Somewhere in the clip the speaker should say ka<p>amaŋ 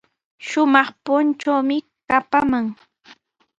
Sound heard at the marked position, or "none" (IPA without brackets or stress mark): p